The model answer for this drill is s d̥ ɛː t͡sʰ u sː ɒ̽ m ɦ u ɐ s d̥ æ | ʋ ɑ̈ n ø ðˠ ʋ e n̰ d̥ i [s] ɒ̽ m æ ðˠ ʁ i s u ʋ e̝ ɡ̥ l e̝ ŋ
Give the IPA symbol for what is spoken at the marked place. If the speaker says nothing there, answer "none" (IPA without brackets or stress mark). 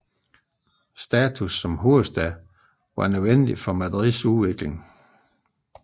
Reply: f